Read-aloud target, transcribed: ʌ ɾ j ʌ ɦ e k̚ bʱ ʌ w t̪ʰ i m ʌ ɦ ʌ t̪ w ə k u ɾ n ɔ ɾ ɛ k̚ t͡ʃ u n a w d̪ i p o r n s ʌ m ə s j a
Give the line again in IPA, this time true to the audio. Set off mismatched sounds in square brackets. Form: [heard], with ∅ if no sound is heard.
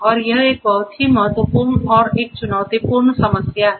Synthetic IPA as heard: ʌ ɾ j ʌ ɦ e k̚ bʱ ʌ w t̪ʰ i m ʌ ɦ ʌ t̪ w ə [p] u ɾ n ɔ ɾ [e] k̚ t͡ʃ u n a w [t̪] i p [u] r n s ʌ m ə s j a